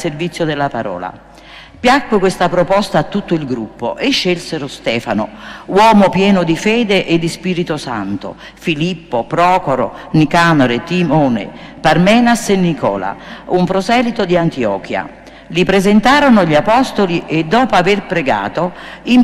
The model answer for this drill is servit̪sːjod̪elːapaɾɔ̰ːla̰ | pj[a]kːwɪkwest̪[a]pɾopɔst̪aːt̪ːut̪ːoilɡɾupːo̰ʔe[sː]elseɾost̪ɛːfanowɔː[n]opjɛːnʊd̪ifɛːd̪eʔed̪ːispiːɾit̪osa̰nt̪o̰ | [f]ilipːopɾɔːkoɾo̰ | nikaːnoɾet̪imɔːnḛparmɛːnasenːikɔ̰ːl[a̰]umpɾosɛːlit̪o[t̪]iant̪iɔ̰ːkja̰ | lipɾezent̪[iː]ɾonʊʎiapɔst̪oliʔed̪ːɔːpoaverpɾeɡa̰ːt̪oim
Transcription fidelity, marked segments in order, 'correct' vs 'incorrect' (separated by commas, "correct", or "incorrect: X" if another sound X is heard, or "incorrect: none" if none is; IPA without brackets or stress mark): correct, correct, incorrect: ʃː, incorrect: m, correct, correct, incorrect: d̪, incorrect: aː